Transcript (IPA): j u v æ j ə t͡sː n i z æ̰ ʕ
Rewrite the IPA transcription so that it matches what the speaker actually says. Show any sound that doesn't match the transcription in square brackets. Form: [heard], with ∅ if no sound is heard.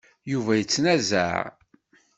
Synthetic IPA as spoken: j u v æ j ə t͡sː n [æ] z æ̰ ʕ